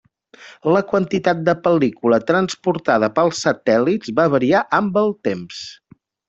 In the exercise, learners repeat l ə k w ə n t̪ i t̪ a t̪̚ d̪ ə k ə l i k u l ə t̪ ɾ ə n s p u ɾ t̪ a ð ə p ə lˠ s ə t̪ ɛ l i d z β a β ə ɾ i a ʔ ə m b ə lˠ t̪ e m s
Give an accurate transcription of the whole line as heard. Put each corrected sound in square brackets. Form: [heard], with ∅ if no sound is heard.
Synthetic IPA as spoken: l ə k w ə n t̪ i t̪ a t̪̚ d̪ ə [p] ə l i k u l ə t̪ ɾ ə n s p u ɾ t̪ a ð ə p ə lˠ s ə t̪ ɛ l i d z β a β ə ɾ i a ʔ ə m b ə lˠ t̪ e m s